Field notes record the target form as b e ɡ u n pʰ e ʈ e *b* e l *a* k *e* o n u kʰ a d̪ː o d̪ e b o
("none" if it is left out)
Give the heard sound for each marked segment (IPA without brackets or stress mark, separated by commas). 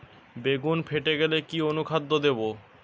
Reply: ɡ, e, i